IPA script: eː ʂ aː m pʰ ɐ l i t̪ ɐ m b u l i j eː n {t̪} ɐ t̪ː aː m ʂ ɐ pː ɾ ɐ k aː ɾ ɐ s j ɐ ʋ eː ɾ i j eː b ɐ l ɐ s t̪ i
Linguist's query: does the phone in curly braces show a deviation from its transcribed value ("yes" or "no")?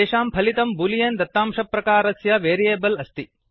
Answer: yes